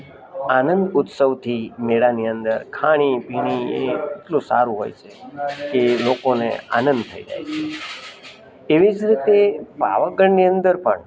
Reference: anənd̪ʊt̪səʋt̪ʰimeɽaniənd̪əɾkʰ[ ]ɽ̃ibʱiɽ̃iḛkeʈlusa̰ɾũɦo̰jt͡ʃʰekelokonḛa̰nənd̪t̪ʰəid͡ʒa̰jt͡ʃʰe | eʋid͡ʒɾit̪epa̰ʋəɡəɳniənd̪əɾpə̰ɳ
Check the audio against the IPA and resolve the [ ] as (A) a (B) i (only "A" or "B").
A